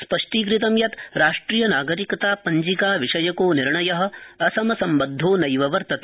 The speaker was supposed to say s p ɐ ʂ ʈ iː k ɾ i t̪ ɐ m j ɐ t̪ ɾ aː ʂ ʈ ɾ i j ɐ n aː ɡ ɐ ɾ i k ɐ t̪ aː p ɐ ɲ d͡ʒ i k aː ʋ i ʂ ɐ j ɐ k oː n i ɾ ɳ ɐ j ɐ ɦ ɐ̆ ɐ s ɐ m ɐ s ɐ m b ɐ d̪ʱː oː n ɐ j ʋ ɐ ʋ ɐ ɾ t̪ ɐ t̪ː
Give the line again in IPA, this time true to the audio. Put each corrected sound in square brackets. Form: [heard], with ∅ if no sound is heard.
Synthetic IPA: s p ɐ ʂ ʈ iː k ɾ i t̪ ɐ m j ɐ t̪ ɾ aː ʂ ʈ ɾ i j ɐ n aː ɡ ɐ ɾ i k ɐ t̪ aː p ɐ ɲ d͡ʒ i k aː ʋ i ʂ ɐ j ɐ k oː n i ɾ ɳ ɐ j ɐ ɦ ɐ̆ ɐ s ɐ m ɐ s ɐ m b ɐ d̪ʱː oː n ɐ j ʋ ɐ ʋ ɐ ɾ t̪ ɐ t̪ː